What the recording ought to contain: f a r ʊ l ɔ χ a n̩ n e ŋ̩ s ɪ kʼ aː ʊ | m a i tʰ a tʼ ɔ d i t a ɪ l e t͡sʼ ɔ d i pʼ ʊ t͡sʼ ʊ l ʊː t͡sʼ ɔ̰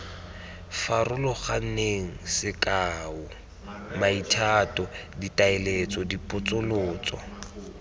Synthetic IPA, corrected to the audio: f a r ʊ l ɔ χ a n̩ n e ŋ̩ s ɪ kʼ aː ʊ | m a i tʰ a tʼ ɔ d i t a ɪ l e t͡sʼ ɔ d i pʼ ʊ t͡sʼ ʊ l ʊː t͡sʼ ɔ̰